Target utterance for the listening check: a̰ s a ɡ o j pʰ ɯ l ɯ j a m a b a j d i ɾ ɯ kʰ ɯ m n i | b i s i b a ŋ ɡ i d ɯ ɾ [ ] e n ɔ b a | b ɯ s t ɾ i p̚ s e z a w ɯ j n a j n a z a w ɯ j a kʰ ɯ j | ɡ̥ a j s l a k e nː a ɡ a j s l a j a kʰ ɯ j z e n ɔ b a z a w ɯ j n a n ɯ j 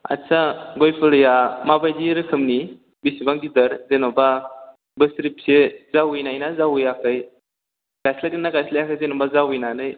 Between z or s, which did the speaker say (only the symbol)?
z